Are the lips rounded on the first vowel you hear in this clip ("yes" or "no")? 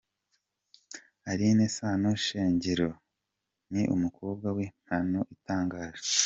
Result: no